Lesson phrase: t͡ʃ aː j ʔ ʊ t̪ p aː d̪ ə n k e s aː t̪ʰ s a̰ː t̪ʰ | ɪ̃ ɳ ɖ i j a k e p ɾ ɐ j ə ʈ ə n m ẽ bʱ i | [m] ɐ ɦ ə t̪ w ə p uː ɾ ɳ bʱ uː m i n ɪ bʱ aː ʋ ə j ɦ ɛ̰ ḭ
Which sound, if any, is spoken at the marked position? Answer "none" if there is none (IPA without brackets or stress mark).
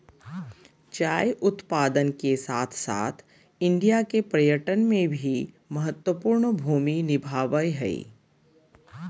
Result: m